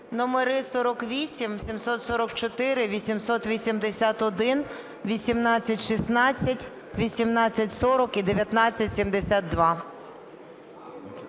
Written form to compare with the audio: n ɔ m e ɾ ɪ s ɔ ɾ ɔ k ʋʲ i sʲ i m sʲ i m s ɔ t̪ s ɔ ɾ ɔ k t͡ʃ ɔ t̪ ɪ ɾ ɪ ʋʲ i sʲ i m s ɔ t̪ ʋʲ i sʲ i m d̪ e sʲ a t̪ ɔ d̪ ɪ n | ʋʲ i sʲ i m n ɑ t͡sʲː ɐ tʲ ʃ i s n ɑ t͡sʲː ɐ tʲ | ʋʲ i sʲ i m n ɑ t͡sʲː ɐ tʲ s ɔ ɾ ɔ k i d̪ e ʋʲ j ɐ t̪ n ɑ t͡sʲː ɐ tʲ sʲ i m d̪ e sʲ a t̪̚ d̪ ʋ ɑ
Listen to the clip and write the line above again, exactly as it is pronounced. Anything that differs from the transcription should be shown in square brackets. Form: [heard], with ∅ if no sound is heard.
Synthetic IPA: n ɔ m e ɾ ɪ s ɔ ɾ ɔ k ʋʲ i sʲ i m sʲ i m s ɔ t̪ s ɔ ɾ ɔ k t͡ʃ ɔ t̪ ɪ ɾ ɪ ʋʲ i sʲ i m s ɔ t̪ ʋʲ i sʲ i m d̪ e sʲ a t̪ ɔ d̪ ɪ n | ʋʲ i sʲ i m n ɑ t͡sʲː ɐ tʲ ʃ i s n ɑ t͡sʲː ɐ tʲ | ʋʲ i sʲ i m n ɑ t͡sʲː ɐ tʲ s ɔ ɾ ɔ k i d̪ e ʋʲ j ɐ t̪ n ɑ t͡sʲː ɐ tʲ sʲ i m d̪ e sʲ a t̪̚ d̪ ʋ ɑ